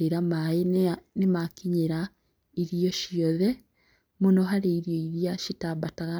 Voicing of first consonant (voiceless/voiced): voiced